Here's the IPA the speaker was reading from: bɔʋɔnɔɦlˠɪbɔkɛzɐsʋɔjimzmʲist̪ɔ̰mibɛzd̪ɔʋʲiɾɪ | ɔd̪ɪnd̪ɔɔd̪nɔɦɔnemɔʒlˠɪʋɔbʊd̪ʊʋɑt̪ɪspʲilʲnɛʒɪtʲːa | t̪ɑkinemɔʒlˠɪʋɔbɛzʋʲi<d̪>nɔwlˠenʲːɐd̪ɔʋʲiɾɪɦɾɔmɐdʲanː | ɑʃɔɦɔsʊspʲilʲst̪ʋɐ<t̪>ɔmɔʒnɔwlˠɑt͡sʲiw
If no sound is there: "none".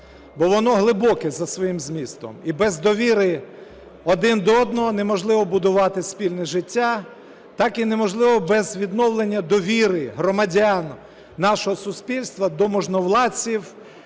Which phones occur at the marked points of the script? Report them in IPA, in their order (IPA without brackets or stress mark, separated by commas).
d̪, d̪